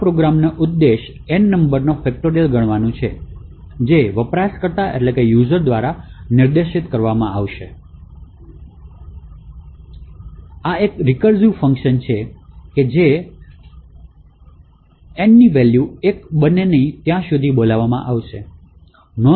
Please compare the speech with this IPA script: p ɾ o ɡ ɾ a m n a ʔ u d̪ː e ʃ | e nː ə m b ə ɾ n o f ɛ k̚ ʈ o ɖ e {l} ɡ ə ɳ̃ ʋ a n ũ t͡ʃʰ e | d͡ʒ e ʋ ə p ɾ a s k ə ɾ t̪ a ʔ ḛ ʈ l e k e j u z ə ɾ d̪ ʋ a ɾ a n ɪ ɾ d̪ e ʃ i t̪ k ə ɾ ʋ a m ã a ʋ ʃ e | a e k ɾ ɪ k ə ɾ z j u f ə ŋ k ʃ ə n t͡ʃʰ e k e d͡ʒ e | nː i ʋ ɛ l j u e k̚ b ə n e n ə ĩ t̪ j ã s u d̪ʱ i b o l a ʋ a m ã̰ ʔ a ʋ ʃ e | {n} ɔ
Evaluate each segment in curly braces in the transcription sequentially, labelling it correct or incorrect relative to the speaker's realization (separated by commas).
correct, correct